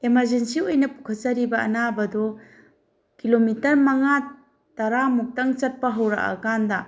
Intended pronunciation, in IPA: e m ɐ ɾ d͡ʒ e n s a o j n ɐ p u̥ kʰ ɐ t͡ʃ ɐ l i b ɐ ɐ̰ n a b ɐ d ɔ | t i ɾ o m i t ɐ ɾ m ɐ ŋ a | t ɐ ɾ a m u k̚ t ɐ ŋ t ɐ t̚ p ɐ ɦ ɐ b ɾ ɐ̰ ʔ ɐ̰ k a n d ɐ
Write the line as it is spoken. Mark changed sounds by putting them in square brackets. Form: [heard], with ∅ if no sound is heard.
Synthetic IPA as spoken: e m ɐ ɾ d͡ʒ e n s [i] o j n ɐ p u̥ kʰ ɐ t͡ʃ ɐ [ɾ] i b ɐ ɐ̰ n a b ɐ d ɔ | [k] i [l] o m i t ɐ ɾ m ɐ ŋ a | t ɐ ɾ a m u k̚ t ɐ ŋ [t͡ʃ] ɐ t̚ p ɐ ɦ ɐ [w] ɾ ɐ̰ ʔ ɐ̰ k a n d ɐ

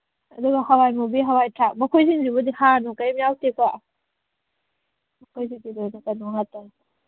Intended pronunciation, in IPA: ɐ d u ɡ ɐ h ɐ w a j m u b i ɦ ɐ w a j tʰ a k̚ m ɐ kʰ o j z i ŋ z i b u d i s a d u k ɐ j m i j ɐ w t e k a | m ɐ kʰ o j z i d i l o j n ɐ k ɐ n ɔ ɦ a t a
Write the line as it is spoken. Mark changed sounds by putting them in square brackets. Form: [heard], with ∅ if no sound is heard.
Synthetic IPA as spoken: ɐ d u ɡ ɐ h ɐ w a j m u b i ɦ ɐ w a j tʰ a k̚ m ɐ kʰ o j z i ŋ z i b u d i [h] a [n] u k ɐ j m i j [a] w t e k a | m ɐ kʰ o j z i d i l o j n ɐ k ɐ n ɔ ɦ a t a

